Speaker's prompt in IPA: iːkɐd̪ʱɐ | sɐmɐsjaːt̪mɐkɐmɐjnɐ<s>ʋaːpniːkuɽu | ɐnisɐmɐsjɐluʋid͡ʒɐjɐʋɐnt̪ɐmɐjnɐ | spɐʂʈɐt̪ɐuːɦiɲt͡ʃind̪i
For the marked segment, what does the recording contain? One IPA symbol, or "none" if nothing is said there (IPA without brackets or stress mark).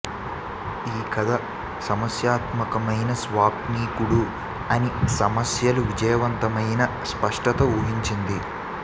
s